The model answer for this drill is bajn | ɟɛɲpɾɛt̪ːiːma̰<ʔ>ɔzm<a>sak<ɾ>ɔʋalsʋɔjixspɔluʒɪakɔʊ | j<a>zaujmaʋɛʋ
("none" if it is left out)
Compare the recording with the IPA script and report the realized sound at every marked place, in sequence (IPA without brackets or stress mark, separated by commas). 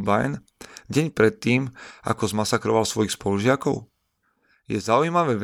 k, a, ɾ, ɛ